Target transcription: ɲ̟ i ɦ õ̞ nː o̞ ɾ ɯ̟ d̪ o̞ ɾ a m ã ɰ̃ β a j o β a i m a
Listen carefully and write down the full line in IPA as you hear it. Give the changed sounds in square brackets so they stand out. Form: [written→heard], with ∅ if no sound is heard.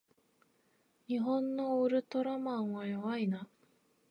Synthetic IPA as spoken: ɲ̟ i ɦ õ̞ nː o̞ ɾ ɯ̟ [d̪→t̪] o̞ ɾ a m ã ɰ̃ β a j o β a i [m→n] a